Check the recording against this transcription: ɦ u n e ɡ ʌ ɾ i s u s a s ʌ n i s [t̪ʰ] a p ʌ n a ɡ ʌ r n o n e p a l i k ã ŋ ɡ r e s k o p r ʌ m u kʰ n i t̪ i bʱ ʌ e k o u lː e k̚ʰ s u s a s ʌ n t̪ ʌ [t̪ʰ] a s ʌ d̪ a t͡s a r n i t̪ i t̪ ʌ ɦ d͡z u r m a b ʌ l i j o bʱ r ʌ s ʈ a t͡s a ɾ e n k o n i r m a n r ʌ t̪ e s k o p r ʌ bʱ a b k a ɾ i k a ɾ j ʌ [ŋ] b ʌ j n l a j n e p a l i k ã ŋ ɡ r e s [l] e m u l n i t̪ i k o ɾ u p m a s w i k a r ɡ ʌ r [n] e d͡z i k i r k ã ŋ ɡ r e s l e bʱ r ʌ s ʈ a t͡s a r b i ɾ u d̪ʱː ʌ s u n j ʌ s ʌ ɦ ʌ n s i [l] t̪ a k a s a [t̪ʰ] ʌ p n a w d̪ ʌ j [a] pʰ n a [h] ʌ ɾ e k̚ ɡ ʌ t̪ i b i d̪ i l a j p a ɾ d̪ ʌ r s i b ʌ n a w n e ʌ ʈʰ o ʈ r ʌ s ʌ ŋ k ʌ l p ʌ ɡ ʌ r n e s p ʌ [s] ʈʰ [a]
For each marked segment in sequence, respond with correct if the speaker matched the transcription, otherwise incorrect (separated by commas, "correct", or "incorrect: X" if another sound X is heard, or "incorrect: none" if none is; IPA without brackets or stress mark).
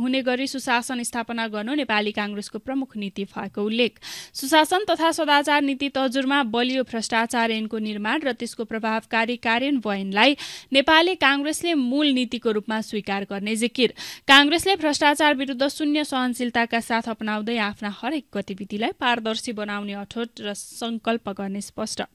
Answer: correct, correct, incorrect: n, correct, correct, correct, correct, correct, correct, correct, incorrect: ʌ